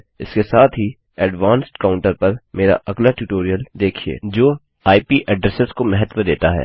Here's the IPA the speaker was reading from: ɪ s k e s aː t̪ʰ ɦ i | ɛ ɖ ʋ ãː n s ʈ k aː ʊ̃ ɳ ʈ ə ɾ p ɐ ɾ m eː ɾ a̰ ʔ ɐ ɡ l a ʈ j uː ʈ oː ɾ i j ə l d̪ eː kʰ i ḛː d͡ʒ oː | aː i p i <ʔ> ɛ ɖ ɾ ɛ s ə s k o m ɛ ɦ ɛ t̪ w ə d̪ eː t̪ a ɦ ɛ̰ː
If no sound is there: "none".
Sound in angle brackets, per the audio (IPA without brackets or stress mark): ʔ